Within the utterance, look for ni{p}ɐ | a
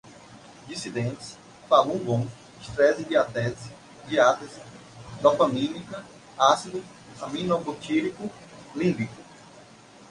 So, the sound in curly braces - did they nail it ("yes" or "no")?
no